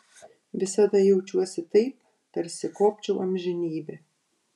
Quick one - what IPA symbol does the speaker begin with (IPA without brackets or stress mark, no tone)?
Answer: ʋʲ